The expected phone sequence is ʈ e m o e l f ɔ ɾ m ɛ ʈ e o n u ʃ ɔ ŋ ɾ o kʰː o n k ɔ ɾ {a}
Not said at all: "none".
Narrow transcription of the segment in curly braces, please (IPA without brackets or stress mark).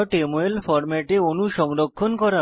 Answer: a